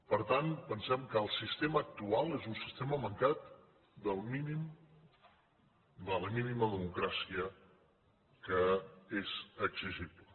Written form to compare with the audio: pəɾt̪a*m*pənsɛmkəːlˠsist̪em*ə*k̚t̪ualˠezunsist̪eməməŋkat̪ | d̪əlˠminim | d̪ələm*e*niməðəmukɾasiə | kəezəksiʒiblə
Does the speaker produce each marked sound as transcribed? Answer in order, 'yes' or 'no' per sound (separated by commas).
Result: no, no, no